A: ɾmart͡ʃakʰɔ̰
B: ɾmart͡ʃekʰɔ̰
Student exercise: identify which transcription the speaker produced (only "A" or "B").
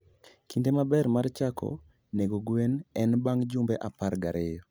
A